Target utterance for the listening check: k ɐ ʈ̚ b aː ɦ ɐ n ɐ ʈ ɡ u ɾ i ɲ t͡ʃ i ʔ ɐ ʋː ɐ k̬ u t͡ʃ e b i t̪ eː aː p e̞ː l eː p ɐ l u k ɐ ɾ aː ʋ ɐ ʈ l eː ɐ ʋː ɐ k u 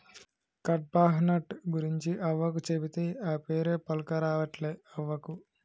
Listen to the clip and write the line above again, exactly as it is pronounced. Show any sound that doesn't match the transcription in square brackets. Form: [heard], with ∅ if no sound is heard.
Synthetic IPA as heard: k ɐ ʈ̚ b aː ɦ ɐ n ɐ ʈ ɡ u ɾ i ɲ t͡ʃ i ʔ ɐ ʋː ɐ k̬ u t͡ʃ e b i t̪ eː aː p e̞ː [ɾ] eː p ɐ l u k ɐ ɾ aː ʋ ɐ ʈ l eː ɐ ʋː ɐ k u